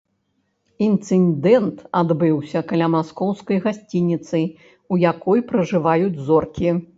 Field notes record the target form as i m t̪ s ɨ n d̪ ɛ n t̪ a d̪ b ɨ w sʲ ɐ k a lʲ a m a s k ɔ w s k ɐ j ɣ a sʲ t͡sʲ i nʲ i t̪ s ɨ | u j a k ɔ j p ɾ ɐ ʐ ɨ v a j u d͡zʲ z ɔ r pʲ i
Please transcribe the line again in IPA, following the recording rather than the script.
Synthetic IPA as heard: i n t̪ s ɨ n d̪ ɛ n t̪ a d̪ b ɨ w sʲ ɐ k a lʲ a m a s k ɔ w s k ɐ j ɣ a sʲ t͡sʲ i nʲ i t̪ s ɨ | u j a k ɔ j p ɾ ɐ ʐ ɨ v a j u d͡zʲ z ɔ r kʲ i